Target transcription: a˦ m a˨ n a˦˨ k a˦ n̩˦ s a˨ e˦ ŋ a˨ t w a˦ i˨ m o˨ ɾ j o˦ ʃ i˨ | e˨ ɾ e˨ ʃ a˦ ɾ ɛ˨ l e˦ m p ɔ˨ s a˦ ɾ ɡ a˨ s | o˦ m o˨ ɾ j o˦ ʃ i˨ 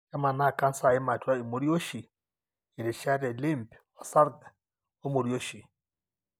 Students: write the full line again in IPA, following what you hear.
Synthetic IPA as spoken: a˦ m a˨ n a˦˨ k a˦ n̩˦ s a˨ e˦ m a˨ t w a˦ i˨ m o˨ ɾ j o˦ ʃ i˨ | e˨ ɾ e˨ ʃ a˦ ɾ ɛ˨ l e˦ m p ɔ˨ s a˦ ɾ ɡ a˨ | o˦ m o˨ ɾ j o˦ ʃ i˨